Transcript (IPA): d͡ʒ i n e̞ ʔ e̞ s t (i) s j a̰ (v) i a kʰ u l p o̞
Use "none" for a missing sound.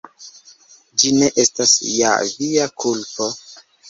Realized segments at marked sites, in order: a, v

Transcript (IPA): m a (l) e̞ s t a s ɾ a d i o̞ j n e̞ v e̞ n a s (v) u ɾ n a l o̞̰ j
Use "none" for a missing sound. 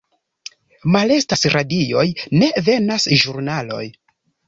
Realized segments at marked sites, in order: l, ʒ

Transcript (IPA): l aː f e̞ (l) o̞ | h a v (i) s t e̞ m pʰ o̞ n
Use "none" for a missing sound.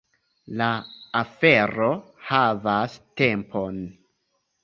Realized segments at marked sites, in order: ɾ, a

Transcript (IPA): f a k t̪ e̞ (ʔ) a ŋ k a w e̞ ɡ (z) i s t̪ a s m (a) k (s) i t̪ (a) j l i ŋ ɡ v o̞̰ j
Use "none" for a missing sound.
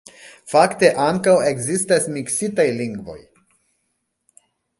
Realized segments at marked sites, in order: ʔ, z, i, s, a

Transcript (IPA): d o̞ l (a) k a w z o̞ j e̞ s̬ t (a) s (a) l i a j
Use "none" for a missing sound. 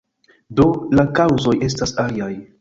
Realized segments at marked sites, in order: a, a, a

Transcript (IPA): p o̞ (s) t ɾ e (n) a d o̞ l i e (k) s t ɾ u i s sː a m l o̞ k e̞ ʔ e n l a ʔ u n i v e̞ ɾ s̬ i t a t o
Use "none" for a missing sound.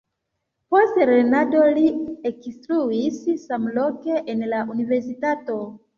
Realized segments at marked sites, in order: s, n, k

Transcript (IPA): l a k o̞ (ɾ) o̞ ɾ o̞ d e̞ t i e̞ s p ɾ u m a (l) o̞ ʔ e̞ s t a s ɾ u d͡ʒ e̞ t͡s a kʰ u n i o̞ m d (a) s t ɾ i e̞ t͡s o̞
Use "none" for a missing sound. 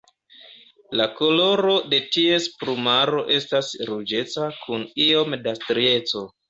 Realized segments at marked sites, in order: l, ɾ, a

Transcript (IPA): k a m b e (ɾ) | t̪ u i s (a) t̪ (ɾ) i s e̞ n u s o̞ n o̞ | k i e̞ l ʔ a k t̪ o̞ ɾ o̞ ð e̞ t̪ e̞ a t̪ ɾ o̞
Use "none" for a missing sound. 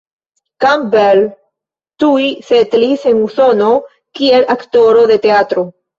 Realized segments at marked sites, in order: l, e, l

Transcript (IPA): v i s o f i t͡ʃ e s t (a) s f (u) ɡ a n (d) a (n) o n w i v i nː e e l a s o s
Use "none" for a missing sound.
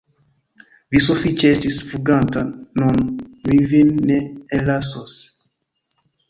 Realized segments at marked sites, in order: i, u, t, n

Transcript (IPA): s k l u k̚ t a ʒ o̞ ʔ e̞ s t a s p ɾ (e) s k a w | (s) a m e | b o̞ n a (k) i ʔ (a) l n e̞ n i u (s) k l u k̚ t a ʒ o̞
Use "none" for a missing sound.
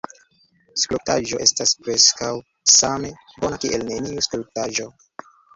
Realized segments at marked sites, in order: e, s, k, e, s

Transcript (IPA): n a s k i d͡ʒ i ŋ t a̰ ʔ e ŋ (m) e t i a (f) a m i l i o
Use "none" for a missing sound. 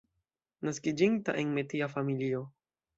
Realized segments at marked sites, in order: m, f

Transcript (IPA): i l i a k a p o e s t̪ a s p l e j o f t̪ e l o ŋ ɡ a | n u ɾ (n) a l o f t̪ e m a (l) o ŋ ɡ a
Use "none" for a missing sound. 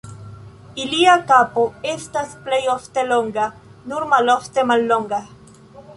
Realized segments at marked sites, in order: m, lː

